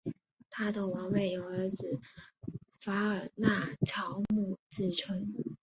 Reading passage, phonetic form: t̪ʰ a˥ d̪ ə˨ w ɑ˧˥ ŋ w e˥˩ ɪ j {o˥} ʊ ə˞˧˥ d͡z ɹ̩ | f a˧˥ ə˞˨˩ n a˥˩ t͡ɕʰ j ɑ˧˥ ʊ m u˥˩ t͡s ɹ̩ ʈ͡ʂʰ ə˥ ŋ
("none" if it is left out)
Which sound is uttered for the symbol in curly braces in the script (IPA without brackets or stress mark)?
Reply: o˨˩